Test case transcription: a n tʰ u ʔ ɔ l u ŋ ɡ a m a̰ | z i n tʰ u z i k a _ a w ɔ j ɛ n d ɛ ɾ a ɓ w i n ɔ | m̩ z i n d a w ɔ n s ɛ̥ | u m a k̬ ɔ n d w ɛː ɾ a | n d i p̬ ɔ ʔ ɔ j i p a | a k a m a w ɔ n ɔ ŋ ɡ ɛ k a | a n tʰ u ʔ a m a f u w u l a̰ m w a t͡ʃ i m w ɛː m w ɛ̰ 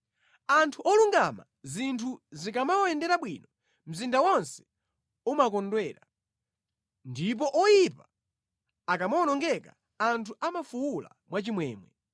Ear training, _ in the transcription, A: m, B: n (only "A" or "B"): A